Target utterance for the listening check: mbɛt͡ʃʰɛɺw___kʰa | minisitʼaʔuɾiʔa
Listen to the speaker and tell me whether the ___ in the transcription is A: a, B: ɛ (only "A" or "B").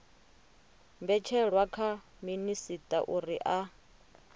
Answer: A